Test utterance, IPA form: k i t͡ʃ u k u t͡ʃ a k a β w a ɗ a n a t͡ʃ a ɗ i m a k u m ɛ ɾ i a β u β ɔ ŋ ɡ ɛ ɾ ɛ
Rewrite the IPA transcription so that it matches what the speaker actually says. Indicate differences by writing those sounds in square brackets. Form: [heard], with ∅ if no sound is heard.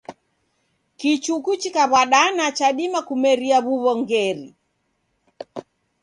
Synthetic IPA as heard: k i t͡ʃ u k u t͡ʃ [i] k a β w a ɗ a n a t͡ʃ a ɗ i m a k u m ɛ ɾ i a β u β ɔ ŋ ɡ ɛ ɾ [i]